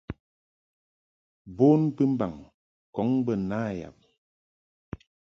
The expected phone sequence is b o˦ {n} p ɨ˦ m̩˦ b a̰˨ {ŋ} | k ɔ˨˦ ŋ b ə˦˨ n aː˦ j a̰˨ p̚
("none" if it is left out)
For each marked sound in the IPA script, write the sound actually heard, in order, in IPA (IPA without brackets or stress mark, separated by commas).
n, ŋ